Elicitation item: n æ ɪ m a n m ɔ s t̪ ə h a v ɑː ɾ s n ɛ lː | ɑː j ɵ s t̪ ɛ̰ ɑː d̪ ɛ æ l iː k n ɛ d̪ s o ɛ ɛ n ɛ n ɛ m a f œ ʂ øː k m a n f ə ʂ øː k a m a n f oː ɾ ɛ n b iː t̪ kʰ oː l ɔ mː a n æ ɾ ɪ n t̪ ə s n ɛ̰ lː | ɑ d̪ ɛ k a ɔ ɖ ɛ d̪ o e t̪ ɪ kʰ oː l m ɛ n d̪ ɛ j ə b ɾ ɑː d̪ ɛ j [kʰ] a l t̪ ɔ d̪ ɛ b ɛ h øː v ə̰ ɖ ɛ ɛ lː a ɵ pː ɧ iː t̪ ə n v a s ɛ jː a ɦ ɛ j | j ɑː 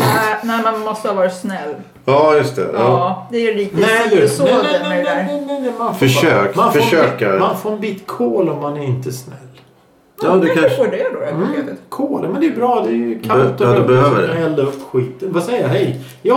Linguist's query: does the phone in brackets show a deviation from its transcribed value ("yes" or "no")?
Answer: no